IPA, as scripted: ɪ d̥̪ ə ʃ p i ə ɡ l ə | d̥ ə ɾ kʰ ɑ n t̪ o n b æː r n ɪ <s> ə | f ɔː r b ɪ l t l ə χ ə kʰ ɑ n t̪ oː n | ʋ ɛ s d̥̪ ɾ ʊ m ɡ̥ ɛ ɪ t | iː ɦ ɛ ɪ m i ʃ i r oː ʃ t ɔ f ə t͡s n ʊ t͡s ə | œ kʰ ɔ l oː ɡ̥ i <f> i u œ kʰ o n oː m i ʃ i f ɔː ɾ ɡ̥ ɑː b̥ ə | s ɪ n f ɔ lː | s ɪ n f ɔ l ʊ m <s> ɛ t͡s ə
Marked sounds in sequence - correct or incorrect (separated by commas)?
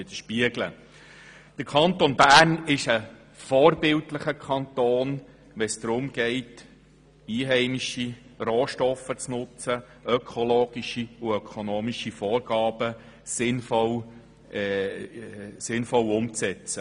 incorrect, incorrect, incorrect